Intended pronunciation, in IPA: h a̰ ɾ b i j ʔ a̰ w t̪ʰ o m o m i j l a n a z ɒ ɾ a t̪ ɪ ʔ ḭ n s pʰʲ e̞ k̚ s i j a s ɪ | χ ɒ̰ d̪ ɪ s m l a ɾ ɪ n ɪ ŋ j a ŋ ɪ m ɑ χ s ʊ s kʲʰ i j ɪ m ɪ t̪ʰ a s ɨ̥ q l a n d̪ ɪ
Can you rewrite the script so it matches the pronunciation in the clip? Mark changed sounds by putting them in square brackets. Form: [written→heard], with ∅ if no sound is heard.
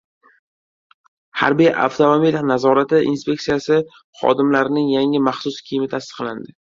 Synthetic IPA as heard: h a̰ ɾ b i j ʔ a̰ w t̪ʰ o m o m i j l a n a z ɒ ɾ a t̪ ɪ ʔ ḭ n s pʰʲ e̞ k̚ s i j a s ɪ | χ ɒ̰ d̪ ɪ [s→∅] m l a ɾ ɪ n ɪ ŋ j a ŋ ɪ m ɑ χ s ʊ s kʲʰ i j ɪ m ɪ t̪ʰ a s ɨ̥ q l a n d̪ ɪ